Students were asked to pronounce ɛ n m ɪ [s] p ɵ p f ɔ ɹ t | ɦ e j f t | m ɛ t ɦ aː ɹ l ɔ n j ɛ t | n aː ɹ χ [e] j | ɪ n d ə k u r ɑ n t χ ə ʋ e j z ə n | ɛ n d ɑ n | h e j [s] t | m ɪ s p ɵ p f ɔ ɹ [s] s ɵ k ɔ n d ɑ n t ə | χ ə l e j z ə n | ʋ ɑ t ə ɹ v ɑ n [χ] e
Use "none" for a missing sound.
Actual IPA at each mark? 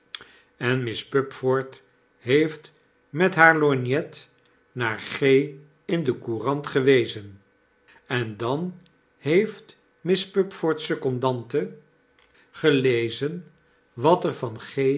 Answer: s, e, f, t, χ

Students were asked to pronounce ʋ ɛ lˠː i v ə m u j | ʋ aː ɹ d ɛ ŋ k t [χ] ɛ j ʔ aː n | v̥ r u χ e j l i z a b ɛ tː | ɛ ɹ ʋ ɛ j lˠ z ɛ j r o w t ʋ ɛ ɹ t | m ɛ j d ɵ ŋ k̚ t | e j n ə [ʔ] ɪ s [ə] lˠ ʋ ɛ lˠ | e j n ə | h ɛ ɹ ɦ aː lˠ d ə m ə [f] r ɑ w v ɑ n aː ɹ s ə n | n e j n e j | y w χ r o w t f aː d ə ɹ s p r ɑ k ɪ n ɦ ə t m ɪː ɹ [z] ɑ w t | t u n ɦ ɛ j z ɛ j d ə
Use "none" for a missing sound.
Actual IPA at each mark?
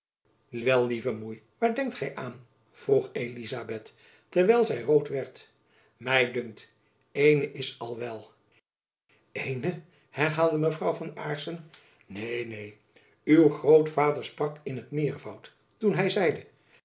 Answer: χ, ʔ, ɑ, v, v

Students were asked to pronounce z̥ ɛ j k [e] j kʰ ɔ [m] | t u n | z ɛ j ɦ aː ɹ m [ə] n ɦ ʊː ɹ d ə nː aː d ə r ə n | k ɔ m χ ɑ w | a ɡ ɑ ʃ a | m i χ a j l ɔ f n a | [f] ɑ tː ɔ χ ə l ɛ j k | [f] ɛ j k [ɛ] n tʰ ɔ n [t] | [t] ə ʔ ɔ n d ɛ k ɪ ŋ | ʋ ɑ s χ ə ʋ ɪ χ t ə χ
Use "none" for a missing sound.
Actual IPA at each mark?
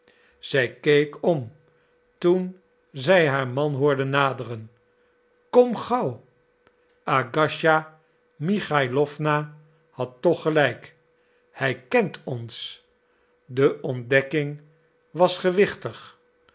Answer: e, m, ɑ, h, h, ɛ, s, d

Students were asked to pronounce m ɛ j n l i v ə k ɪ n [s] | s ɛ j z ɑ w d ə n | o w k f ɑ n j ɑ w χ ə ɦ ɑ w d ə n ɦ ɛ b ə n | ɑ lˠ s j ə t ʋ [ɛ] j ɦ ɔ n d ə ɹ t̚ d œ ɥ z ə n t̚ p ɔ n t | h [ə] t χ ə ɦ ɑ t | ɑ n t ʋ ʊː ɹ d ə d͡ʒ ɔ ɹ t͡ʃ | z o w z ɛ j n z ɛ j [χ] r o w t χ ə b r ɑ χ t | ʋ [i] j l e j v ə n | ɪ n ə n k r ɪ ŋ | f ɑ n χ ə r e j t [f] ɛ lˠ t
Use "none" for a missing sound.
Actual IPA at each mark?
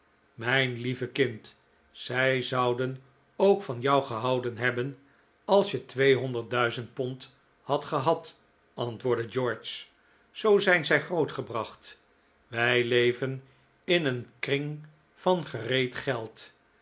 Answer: t, e, ɑ, χ, ɛ, χ

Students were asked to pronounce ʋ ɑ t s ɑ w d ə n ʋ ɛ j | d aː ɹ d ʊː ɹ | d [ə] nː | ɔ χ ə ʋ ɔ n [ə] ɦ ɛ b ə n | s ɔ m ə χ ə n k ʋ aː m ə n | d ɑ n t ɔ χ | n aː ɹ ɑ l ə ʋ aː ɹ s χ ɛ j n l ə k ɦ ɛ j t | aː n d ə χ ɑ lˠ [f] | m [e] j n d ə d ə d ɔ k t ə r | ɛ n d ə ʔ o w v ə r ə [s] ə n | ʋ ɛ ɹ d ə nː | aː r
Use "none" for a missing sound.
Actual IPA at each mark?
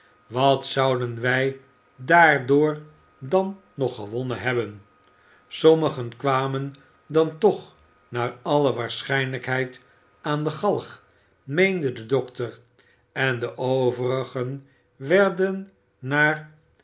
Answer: ɑ, ə, χ, e, χ

